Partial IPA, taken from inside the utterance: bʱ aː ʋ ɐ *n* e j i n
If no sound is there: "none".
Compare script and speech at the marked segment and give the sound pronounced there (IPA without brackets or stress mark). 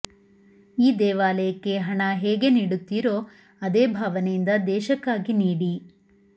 n